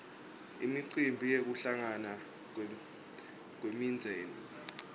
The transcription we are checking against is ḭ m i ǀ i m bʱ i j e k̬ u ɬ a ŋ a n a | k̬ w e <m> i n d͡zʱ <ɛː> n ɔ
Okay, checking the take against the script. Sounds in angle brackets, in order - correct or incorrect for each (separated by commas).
correct, correct